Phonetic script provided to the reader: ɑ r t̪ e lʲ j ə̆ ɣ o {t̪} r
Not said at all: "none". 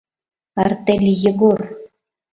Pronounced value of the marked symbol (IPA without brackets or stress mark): none